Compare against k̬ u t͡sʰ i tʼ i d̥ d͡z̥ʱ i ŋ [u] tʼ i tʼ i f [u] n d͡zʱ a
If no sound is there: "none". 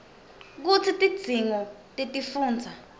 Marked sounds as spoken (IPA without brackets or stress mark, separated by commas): ɔ, uː